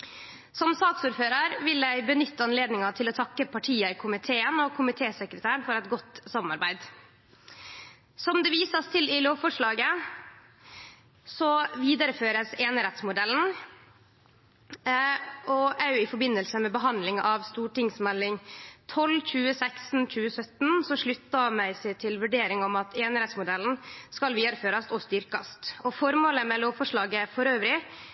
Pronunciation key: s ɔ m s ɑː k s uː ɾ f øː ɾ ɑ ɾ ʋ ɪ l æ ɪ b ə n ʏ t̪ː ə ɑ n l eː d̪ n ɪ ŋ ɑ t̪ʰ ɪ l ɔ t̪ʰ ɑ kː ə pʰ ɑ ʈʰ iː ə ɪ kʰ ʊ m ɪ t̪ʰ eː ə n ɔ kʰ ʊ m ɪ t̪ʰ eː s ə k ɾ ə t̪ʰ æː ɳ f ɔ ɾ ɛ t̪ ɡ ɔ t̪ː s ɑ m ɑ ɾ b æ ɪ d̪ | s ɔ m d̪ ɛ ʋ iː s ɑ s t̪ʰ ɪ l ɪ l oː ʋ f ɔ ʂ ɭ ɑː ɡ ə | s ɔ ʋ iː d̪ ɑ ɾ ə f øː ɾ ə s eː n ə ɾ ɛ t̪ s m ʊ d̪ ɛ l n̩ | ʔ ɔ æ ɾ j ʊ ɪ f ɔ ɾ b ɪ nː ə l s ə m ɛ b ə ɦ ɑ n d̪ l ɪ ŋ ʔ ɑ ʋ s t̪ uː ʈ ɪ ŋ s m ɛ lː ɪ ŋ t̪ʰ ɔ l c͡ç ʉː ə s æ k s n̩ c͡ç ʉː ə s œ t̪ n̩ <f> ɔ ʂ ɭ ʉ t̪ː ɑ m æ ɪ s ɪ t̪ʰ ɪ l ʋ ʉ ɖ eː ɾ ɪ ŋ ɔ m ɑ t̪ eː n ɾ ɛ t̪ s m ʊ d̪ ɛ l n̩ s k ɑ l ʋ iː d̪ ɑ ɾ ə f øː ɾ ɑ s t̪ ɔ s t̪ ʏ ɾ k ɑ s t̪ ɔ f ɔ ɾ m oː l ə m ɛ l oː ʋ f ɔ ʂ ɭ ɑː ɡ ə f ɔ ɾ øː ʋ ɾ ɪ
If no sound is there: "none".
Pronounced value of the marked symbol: s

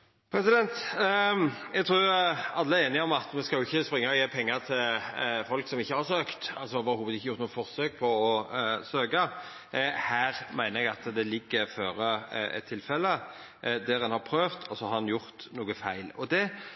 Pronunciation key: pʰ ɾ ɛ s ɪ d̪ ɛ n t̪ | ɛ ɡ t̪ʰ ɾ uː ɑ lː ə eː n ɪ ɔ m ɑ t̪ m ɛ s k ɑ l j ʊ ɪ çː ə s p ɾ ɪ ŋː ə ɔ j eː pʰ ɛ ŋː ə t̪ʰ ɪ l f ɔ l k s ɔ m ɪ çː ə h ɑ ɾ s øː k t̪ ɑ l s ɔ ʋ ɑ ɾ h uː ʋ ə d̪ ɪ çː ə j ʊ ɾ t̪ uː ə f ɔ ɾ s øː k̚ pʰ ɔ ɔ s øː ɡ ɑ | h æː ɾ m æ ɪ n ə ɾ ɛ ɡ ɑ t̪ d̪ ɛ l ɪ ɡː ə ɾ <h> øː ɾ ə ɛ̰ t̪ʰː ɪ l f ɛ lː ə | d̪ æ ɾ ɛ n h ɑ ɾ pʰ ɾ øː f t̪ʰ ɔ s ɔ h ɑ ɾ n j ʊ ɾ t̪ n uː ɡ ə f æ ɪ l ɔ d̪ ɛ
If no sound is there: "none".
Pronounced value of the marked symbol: f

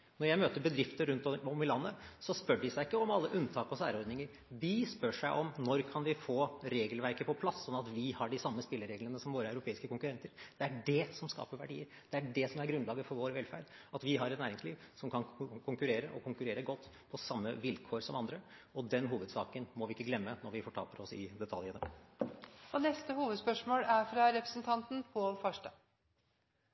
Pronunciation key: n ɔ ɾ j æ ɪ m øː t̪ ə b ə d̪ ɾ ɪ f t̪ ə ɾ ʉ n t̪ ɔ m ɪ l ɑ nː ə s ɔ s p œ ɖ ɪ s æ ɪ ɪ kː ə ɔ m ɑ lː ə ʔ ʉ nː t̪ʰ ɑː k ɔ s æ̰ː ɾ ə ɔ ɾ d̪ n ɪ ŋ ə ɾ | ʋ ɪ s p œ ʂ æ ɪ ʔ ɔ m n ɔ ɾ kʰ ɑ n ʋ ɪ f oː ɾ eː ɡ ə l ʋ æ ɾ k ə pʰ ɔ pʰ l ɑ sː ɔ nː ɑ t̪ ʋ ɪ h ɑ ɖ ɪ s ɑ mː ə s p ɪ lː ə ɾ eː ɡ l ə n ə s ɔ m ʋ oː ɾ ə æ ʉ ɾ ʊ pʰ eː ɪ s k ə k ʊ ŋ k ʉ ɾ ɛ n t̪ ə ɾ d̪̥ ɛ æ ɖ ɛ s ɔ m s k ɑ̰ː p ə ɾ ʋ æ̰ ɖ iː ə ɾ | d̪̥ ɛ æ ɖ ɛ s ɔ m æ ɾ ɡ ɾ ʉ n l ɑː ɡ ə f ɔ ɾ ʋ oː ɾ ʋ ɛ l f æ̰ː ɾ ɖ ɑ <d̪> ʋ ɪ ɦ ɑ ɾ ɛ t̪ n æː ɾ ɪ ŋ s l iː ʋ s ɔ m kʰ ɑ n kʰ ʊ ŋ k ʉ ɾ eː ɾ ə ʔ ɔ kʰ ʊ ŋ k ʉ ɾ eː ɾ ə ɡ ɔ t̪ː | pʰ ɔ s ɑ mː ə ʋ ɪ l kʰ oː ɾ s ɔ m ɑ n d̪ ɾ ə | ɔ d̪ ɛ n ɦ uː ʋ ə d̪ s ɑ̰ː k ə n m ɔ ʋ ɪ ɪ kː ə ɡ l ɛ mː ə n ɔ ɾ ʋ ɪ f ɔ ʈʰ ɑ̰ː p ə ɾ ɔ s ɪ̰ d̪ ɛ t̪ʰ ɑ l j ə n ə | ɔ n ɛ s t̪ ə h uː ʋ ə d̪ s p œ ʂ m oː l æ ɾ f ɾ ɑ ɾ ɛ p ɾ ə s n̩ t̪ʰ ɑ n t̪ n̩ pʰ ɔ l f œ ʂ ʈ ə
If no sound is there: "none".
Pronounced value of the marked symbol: t̪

